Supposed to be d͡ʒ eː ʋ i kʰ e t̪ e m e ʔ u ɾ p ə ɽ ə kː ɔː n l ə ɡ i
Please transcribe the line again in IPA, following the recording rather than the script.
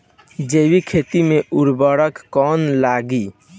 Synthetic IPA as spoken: d͡ʒ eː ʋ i kʰ e t̪ i m e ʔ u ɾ b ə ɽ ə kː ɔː n l a ɡ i